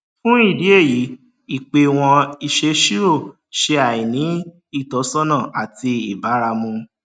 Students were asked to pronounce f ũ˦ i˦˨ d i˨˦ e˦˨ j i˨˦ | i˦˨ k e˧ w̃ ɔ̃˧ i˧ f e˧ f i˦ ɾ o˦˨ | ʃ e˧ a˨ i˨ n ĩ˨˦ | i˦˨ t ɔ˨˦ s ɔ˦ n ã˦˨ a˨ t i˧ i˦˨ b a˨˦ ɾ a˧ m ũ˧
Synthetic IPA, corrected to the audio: f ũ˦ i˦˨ d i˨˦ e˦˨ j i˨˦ | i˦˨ k͡p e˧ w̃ ɔ̃˧ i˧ ʃ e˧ ʃ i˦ ɾ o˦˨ | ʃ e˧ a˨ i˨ n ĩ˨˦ | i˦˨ t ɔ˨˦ s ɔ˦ n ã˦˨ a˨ t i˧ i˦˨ b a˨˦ ɾ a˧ m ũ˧